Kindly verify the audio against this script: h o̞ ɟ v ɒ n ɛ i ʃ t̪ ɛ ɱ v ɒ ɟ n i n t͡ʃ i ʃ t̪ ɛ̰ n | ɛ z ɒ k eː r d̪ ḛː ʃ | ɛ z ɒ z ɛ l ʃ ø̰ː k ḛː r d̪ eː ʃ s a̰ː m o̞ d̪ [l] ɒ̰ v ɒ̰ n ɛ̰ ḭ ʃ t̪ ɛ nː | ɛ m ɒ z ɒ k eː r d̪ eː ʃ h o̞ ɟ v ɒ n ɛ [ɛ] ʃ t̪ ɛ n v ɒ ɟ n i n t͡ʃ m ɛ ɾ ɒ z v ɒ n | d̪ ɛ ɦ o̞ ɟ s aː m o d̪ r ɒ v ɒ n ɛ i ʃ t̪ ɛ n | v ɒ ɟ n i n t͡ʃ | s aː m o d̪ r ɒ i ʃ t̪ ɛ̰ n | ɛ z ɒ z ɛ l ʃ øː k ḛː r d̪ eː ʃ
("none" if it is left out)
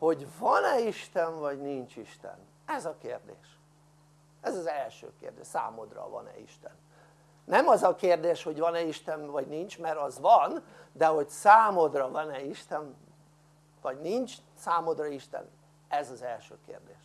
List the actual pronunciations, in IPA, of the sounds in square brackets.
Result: r, i

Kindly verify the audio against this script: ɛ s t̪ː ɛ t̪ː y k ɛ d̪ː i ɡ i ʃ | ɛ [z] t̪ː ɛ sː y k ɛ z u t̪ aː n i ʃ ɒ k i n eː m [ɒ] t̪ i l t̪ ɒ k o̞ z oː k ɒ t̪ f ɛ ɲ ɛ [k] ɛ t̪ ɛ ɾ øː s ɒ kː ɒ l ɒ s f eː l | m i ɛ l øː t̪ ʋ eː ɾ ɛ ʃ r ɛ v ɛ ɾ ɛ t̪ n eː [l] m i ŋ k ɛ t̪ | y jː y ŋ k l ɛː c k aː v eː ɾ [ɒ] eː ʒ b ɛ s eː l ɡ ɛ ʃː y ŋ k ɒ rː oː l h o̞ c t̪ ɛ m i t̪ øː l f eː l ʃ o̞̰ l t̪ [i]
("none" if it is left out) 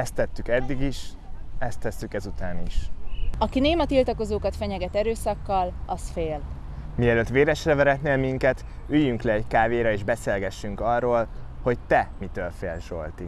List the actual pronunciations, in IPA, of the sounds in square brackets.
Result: s, ɒ, ɡ, l, ɒ, i

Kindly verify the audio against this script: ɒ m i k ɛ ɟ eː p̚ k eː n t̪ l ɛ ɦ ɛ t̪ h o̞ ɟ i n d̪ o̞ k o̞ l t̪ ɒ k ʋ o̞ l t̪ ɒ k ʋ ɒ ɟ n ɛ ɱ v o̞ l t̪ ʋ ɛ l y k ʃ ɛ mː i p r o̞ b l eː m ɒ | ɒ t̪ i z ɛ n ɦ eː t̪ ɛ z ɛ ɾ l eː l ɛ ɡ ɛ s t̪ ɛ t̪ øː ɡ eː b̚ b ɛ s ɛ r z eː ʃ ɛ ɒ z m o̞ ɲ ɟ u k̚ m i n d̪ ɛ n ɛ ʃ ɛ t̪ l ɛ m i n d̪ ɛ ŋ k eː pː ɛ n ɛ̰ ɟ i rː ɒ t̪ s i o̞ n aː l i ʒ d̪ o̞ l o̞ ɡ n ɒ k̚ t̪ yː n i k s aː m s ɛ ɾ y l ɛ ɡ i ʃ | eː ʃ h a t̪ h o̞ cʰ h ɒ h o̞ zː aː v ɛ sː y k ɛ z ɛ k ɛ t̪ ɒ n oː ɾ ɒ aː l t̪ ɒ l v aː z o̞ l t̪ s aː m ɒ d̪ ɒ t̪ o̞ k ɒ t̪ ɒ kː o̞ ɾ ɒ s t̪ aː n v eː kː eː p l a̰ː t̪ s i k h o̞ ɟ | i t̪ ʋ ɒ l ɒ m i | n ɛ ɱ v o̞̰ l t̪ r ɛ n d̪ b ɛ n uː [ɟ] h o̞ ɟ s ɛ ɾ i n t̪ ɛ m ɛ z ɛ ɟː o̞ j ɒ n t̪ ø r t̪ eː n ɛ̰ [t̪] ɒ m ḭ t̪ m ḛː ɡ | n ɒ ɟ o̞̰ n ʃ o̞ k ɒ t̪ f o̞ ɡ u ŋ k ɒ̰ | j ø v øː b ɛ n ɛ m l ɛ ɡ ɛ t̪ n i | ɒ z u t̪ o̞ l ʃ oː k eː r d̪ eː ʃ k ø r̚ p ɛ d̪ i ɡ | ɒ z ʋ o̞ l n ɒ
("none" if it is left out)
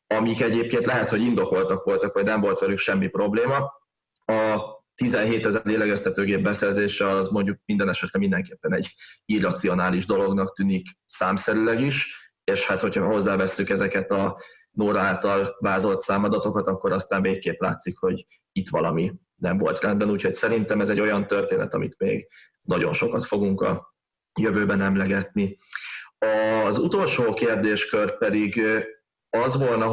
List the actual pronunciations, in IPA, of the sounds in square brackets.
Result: c, t̪

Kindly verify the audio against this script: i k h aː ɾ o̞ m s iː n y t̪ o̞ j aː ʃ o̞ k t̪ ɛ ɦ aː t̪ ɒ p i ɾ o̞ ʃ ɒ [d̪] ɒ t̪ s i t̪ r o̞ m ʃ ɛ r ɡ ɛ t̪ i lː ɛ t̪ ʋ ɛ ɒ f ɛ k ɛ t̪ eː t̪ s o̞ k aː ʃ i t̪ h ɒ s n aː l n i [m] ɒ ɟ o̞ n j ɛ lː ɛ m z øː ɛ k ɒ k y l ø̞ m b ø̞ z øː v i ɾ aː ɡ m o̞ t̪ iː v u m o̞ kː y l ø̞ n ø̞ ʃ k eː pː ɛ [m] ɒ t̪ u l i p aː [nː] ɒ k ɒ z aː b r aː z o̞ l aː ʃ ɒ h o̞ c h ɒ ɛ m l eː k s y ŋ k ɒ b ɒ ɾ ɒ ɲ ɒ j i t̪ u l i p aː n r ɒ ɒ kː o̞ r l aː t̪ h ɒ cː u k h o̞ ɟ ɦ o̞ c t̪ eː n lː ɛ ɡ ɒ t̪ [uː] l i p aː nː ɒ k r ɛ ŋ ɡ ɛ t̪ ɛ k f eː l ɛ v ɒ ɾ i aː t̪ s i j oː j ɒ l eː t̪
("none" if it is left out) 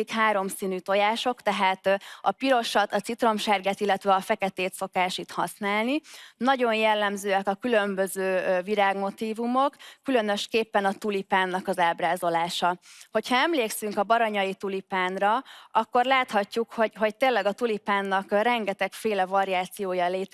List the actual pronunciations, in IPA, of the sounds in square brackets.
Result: t̪, n, n, nː, u

